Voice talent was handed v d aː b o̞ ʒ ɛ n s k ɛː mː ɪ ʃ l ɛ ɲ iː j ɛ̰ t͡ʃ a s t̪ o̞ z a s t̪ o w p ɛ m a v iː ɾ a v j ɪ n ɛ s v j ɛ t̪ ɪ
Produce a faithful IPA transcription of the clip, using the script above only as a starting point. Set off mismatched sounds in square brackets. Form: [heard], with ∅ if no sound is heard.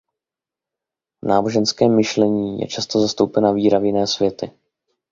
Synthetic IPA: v [n] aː b o̞ ʒ ɛ n s k ɛː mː ɪ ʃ l ɛ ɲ iː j ɛ̰ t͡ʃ a s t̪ o̞ z a s t̪ o w p ɛ [n] a v iː ɾ a v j ɪ n [ɛː] s v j ɛ t̪ ɪ